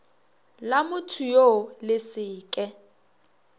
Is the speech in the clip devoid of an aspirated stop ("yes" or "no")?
no